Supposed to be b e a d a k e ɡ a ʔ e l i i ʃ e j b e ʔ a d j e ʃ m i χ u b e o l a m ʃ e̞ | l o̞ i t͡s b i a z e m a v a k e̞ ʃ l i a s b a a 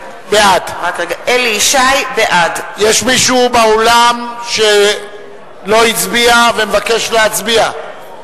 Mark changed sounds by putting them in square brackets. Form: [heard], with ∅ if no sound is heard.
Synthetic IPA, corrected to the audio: b e a d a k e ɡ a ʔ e l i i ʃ [a] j b e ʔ a d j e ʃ m i [ʃ] u b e o l a m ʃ e̞ | l o̞ i t͡s b i a [v] e m [e] v a k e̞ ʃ l [e] a [t͡s] b [i] a